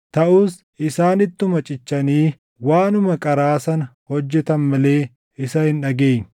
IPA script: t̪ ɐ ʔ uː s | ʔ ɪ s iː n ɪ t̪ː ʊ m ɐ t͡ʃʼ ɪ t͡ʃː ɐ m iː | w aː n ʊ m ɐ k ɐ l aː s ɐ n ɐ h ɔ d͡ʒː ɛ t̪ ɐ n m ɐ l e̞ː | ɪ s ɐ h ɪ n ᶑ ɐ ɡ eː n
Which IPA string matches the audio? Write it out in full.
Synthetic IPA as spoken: t̪ ɐ ʔ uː s | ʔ ɪ s aː n ɪ t̪ː ʊ m ɐ t͡ʃʼ ɪ t͡ʃː ɐ n iː | w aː n ʊ m ɐ kʼ ɐ ɾ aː s ɐ n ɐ h ɔ d͡ʒː ɛ t̪ ɐ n m ɐ l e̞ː | ɪ s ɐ h ɪ n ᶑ ɐ ɡ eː n